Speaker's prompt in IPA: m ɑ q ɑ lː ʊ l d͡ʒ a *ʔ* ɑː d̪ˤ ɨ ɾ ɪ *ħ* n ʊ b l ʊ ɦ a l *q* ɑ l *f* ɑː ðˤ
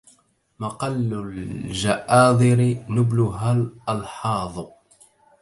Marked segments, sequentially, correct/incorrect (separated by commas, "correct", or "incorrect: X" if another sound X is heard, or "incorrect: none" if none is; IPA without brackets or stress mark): correct, incorrect: none, incorrect: ʔ, incorrect: ħ